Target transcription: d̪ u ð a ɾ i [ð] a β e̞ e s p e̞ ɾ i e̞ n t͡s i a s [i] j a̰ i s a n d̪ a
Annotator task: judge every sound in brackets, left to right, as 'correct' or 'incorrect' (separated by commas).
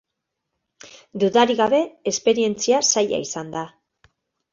incorrect, incorrect